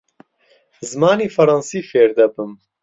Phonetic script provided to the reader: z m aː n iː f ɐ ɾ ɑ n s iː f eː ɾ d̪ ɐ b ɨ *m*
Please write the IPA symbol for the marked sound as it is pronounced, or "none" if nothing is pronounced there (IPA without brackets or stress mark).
m